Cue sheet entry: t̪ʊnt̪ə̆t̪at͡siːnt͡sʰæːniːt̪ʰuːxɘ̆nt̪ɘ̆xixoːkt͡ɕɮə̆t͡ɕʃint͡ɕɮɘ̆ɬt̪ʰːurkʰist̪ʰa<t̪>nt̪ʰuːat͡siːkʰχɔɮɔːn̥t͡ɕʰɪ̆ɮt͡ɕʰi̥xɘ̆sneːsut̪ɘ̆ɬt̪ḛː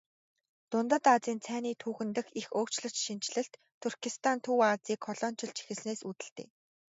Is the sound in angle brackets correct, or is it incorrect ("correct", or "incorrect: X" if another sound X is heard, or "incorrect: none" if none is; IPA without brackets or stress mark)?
incorrect: none